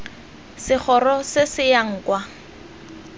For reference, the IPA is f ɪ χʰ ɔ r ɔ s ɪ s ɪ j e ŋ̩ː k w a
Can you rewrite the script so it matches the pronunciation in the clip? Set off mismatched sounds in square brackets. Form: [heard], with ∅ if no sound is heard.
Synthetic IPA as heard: [s] ɪ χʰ ɔ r ɔ s ɪ s ɪ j [a] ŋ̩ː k w a